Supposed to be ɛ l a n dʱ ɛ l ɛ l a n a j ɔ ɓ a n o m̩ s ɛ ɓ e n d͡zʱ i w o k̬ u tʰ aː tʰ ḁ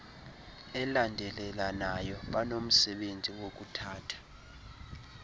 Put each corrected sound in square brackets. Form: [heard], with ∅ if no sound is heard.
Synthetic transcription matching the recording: ɛ l a n dʱ ɛ l ɛ l a n a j ɔ ɓ a n o m̩ s ɛ ɓ e n d͡zʱ i w o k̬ u tʰ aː tʰ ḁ